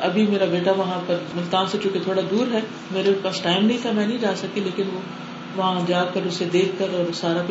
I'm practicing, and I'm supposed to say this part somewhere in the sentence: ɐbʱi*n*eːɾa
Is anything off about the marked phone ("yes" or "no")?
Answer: yes